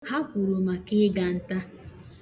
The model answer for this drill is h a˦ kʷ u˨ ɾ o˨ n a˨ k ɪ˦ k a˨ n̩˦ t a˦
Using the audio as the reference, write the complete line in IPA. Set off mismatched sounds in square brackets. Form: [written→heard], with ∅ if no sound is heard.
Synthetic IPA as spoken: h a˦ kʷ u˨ ɾ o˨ [n→m] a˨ k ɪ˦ [k→ɡ] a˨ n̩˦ t a˦